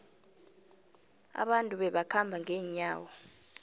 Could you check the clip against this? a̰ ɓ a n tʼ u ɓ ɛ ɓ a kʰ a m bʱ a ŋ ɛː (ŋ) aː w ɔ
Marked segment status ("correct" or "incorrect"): incorrect